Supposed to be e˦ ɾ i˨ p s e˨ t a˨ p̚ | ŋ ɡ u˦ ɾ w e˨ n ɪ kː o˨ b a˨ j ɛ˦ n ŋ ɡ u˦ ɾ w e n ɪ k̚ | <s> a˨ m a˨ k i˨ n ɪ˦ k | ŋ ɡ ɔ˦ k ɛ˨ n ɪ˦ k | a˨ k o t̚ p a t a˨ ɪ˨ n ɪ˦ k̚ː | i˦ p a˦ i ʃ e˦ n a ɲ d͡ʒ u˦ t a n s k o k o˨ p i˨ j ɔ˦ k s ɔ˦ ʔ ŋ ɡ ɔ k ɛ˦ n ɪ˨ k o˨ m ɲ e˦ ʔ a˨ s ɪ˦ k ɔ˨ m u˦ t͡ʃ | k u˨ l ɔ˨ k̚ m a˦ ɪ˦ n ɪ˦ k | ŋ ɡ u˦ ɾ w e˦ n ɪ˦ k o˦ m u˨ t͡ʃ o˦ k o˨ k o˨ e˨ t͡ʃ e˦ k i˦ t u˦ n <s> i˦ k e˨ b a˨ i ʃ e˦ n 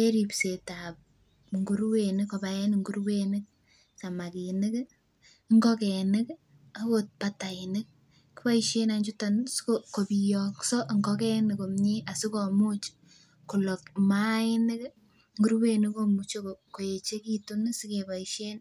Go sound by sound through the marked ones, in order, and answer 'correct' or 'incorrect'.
correct, correct

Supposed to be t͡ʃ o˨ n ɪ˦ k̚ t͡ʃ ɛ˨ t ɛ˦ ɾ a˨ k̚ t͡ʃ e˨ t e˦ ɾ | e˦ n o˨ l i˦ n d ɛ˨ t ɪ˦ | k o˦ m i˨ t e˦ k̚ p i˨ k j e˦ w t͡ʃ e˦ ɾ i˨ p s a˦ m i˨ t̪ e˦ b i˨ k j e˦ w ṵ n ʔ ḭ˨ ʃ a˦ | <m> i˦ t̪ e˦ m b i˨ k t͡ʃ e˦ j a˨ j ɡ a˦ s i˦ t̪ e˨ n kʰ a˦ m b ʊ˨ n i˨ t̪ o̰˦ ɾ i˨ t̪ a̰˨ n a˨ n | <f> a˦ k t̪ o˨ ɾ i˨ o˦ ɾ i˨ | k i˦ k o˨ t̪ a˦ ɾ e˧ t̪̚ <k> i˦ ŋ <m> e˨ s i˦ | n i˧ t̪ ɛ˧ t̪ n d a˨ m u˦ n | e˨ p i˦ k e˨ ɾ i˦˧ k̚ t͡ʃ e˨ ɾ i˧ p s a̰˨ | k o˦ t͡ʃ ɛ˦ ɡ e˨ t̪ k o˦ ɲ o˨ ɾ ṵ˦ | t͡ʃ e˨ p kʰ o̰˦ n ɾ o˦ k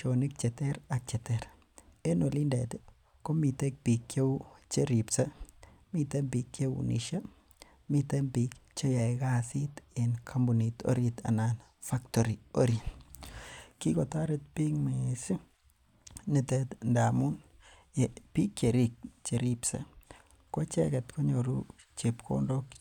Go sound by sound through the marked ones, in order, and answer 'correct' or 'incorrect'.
correct, correct, incorrect: p, correct

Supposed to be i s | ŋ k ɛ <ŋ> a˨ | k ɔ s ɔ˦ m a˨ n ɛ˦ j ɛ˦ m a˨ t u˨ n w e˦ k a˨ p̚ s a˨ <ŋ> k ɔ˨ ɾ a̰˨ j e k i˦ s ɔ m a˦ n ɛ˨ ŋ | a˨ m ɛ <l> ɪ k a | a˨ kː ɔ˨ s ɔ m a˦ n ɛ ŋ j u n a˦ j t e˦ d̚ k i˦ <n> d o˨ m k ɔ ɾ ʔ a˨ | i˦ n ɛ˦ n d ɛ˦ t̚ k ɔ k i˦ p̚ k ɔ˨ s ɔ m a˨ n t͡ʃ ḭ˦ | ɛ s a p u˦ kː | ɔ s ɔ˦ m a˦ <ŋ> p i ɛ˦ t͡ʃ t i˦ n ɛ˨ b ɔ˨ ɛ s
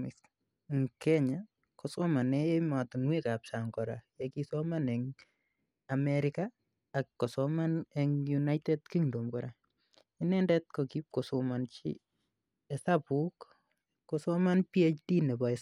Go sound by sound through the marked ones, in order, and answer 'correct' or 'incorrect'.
incorrect: ɲ, correct, incorrect: ɾ, incorrect: ŋ, incorrect: n

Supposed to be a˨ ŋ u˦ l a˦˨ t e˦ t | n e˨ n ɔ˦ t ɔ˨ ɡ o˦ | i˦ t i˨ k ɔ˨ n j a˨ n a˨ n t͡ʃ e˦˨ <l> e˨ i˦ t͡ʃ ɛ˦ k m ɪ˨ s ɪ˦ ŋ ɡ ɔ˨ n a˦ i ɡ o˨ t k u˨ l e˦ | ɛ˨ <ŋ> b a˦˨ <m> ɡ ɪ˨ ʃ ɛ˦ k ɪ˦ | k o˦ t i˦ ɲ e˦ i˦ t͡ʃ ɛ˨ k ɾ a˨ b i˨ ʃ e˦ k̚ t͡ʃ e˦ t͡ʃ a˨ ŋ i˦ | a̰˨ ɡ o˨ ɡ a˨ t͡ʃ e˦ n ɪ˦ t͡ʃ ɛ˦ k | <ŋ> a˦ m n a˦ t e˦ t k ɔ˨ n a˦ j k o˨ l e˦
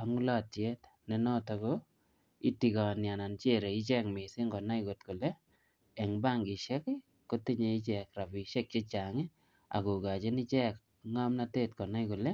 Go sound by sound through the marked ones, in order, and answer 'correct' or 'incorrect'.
incorrect: ɾ, correct, incorrect: ŋ, correct

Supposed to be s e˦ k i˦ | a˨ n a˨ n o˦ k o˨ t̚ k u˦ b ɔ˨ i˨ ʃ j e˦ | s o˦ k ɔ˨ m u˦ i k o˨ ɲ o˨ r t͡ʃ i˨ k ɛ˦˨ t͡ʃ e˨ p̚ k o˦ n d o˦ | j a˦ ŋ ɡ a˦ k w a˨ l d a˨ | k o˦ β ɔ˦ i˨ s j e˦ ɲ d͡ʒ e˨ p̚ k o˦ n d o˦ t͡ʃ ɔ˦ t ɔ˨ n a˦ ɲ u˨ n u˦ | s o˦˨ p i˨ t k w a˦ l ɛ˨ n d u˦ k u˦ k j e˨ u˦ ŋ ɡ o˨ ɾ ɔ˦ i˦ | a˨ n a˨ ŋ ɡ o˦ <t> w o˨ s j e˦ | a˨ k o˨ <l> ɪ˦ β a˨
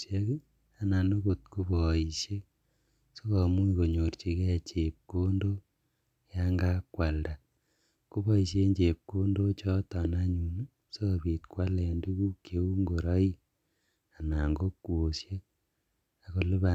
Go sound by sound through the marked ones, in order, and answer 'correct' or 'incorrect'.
incorrect: k, correct

